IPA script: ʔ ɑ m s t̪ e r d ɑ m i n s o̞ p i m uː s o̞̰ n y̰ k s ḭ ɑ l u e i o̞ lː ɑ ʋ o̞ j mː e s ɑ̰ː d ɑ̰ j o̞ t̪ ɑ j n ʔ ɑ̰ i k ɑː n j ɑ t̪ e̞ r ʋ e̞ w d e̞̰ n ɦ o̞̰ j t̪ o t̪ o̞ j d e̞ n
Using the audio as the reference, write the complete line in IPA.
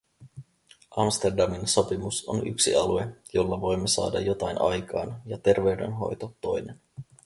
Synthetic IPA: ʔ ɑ m s t̪ e r d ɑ m i n s o̞ p i m u s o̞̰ n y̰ k s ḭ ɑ l u e j o̞ lː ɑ ʋ o̞ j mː e s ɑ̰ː d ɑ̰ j o̞ t̪ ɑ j n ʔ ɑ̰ j k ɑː n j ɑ t̪ e̞ r ʋ e̞ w d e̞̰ n ɦ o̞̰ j t̪ o t̪ o̞ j n e̞ n